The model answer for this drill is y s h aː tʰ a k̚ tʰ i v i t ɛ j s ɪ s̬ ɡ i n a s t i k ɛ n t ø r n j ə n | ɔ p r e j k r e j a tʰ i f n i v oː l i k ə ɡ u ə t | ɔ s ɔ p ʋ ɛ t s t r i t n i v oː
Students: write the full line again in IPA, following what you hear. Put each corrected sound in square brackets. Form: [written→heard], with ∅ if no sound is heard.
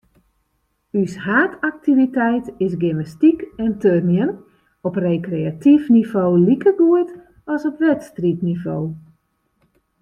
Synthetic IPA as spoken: y s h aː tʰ a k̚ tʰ i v i t ɛ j [s→t] ɪ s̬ ɡ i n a s t i k ɛ n t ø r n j ə n | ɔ p r e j k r e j a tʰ i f n i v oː l i k ə ɡ u ə t | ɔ s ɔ p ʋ ɛ t s t r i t n i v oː